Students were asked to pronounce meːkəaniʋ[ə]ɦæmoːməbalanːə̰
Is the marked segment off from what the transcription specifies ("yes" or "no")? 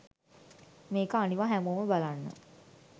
yes